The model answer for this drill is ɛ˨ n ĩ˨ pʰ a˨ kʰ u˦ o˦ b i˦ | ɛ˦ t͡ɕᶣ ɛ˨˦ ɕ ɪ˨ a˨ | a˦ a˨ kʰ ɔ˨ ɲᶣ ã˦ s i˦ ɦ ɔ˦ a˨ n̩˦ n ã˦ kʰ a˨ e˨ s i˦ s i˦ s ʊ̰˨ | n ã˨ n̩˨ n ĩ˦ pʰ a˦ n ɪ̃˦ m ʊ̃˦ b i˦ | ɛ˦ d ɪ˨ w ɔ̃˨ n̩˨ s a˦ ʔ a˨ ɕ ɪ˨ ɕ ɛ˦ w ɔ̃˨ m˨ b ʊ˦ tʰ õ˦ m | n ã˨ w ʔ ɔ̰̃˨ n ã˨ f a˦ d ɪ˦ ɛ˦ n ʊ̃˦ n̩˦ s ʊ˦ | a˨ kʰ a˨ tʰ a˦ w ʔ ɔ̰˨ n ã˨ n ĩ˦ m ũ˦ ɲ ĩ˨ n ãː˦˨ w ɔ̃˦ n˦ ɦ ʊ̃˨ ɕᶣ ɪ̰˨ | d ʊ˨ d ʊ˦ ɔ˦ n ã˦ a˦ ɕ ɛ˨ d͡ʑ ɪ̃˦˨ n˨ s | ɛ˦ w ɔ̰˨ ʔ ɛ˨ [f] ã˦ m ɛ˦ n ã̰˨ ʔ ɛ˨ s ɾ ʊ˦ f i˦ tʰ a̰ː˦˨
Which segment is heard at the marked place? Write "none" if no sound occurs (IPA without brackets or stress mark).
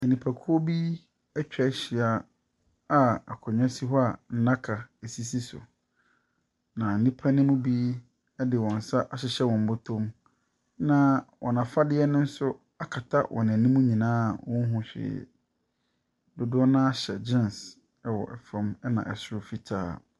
f